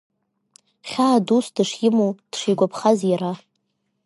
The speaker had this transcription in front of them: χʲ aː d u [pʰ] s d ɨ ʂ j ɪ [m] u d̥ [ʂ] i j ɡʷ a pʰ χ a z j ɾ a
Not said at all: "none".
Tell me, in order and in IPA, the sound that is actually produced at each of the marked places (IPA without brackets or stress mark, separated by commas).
none, m, ʂ